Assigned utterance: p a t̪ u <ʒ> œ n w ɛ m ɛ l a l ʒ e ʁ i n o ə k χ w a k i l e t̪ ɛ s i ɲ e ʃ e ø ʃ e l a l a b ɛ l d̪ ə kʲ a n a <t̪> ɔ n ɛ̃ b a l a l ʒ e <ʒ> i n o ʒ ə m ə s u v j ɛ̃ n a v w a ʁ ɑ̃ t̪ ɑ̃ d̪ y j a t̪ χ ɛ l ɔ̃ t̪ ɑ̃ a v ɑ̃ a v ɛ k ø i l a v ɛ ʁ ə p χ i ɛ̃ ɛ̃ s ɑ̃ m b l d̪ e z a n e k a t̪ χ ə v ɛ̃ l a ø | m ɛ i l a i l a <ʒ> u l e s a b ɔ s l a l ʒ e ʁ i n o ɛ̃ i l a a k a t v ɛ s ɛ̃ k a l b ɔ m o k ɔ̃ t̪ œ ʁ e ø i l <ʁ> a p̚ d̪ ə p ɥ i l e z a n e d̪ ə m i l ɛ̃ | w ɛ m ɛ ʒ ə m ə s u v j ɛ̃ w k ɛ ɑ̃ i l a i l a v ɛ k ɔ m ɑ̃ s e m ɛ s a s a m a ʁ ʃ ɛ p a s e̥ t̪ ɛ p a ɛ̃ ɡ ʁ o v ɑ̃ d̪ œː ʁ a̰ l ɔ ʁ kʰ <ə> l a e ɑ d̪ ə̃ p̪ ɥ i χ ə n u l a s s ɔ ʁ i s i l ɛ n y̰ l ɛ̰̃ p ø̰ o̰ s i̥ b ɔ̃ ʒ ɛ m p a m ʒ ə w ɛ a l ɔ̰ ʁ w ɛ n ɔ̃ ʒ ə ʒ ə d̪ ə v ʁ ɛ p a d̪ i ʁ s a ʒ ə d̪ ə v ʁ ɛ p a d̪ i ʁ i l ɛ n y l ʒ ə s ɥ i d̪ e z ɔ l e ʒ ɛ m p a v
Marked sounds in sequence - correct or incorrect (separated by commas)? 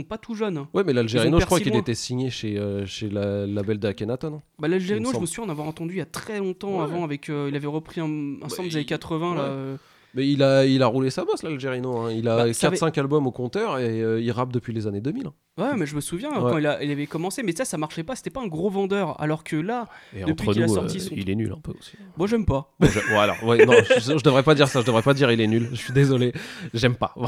correct, correct, incorrect, incorrect, correct, correct